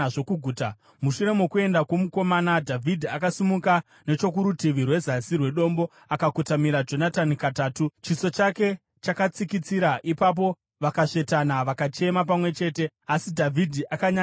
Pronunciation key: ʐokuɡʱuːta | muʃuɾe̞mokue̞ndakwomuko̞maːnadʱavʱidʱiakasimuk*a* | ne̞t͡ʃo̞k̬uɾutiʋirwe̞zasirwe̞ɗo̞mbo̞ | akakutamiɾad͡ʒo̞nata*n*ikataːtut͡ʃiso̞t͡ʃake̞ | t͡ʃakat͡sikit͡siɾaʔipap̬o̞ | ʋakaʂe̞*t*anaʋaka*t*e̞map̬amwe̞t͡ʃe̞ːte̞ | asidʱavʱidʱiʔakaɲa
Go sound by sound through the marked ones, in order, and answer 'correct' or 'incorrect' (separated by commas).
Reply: correct, correct, correct, incorrect